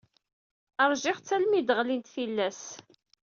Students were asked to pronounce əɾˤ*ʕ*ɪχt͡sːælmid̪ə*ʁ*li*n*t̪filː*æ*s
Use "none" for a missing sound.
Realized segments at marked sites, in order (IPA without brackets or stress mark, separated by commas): ʒ, ʁ, n, æ